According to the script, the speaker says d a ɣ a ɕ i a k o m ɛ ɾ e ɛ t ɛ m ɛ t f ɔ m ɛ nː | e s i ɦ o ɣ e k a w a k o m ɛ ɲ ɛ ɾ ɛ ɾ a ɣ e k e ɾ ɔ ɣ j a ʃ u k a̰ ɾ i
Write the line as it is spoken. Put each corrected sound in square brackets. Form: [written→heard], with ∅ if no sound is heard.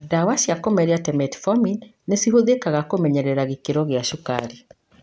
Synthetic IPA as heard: d a [ɣ→w] a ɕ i a k o m ɛ ɾ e [ɛ→a] t ɛ m ɛ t f ɔ m [ɛ→i] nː | e s i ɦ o [ɣ→ð] e k a [w→ɣ] a k o m ɛ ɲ ɛ ɾ ɛ ɾ a ɣ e k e ɾ ɔ ɣ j a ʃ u k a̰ ɾ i